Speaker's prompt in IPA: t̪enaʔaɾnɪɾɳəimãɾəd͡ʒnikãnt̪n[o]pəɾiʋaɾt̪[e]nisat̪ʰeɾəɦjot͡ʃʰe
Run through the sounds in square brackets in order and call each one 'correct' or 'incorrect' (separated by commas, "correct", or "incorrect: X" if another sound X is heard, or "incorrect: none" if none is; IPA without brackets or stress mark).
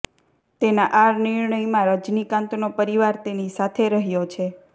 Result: correct, correct